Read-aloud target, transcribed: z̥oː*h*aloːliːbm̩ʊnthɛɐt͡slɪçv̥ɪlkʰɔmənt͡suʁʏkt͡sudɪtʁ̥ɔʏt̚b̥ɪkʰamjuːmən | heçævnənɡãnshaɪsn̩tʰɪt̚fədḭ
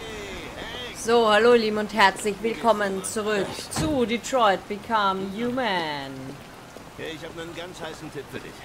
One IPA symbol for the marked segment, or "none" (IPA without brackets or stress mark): h